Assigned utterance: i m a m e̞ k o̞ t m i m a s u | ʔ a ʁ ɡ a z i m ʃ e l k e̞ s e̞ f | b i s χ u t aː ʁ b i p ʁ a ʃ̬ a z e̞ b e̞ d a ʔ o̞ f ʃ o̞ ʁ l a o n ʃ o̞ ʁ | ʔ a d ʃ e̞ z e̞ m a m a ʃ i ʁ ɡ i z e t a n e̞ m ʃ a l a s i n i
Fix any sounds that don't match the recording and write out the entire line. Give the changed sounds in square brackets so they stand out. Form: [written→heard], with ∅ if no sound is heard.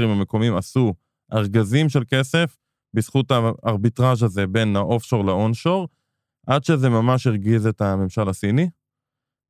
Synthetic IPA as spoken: i m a m e̞ k o̞ [t→∅] m i m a s u | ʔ a ʁ ɡ a z i m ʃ e l k e̞ s e̞ f | b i s χ u t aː ʁ b i [p→t] ʁ a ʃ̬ a z e̞ b e̞ [d→n] a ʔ o̞ f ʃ o̞ ʁ l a o n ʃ o̞ ʁ | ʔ a d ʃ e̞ z e̞ m a m a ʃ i ʁ ɡ i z e t a [n→m] e̞ m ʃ a l a s i n i